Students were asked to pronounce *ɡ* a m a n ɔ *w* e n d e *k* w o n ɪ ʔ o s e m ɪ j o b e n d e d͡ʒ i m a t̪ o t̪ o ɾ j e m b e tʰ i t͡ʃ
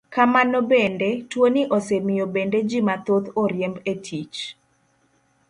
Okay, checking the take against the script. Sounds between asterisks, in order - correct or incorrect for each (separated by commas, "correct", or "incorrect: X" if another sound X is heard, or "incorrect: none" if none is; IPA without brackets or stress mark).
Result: incorrect: k, incorrect: b, incorrect: t